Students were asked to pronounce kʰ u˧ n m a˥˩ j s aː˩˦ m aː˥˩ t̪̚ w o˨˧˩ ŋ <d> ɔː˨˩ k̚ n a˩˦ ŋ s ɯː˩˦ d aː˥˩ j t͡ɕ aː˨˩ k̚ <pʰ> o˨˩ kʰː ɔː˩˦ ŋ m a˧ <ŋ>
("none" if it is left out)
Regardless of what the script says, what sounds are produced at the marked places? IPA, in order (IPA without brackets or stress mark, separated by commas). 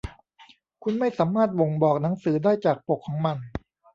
b, p, n